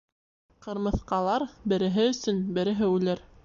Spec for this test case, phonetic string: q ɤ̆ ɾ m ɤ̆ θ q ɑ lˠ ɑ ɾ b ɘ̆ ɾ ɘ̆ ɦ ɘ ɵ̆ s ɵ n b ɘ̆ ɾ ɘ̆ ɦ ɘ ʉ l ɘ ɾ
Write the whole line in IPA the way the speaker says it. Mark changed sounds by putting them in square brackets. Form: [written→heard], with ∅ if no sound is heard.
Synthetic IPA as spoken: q ɤ̆ ɾ m ɤ̆ θ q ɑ lˠ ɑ ɾ b ɘ̆ ɾ ɘ̆ ɦ ɘ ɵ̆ s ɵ n b ɘ̆ ɾ ɘ̆ ɦ ɘ ʉ l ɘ ɾ